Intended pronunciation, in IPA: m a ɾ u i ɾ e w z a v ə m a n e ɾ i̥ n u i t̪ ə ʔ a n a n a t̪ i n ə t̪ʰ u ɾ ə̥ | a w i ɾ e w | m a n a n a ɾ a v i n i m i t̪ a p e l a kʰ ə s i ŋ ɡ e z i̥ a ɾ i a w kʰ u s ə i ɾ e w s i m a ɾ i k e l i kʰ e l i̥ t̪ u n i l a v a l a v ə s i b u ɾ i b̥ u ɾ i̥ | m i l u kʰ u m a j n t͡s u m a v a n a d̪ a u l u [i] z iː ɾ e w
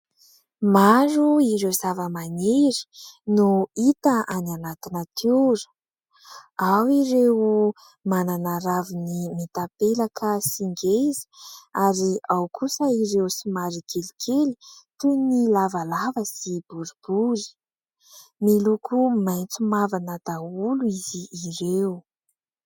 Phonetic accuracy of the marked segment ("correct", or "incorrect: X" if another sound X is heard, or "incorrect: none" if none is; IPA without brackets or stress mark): correct